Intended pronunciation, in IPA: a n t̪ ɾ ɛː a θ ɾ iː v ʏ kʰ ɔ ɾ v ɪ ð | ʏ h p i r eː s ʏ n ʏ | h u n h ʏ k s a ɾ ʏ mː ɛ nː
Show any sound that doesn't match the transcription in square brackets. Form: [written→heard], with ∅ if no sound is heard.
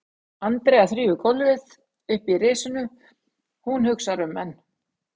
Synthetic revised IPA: a n t̪ ɾ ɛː a θ ɾ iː v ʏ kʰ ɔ [ɾ→l] v ɪ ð | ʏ h p i r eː s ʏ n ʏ | h u n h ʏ k s a ɾ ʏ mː ɛ nː